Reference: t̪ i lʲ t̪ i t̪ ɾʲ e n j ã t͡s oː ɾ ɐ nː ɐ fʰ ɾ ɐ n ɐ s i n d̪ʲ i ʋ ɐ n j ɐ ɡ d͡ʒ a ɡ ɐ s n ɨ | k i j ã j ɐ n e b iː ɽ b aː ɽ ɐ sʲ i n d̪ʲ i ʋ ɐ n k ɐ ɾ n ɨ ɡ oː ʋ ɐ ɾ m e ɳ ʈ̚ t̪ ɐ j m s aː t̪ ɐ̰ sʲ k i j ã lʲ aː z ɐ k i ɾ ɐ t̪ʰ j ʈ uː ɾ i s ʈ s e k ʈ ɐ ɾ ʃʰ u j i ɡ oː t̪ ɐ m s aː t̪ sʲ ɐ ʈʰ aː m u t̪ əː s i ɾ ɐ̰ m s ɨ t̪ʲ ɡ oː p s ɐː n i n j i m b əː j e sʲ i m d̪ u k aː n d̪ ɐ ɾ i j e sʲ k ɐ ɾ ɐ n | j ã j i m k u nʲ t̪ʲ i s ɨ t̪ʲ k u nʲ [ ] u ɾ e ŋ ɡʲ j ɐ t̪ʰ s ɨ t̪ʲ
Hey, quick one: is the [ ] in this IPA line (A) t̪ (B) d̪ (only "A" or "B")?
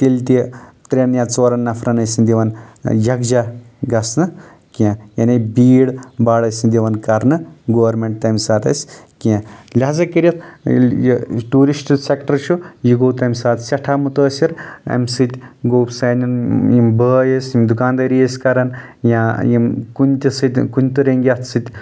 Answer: A